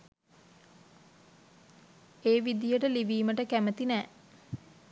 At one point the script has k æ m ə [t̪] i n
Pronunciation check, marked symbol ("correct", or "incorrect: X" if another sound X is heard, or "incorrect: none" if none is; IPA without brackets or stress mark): correct